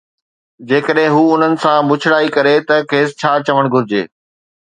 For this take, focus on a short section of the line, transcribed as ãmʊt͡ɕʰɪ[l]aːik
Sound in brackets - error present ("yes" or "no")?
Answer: yes